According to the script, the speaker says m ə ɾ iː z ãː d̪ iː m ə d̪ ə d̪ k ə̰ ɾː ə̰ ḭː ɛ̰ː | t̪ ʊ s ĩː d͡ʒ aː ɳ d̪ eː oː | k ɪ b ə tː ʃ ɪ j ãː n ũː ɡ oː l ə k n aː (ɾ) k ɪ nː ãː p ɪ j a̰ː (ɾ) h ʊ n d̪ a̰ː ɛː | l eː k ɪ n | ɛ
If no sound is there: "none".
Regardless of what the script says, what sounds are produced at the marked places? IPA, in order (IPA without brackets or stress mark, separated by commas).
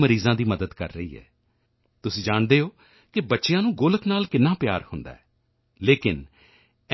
l, ɾ